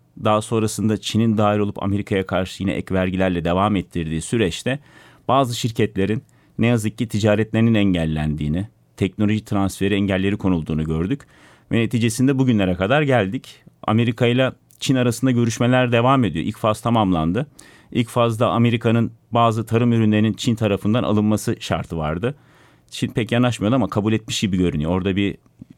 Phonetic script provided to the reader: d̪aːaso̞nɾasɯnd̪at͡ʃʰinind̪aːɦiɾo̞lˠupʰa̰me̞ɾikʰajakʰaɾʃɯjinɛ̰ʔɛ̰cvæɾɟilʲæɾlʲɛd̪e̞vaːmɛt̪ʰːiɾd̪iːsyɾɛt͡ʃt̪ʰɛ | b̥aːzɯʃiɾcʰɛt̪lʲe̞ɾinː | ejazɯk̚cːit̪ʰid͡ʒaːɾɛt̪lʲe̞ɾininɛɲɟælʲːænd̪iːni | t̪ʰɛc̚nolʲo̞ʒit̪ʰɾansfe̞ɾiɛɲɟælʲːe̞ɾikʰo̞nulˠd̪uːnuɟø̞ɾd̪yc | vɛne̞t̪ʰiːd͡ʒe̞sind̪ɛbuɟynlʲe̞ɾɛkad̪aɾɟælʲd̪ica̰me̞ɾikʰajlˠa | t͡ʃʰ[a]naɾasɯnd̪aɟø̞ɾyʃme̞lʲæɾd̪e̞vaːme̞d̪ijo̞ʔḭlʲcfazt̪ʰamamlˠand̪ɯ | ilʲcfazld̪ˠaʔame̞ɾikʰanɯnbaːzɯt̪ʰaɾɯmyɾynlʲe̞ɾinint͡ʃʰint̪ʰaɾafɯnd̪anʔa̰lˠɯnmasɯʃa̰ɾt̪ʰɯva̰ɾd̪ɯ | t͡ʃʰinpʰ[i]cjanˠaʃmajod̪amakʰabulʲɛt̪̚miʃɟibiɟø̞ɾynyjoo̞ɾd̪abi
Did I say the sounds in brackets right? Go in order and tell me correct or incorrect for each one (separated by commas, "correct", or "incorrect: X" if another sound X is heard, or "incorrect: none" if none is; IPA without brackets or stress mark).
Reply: incorrect: i, incorrect: ɛ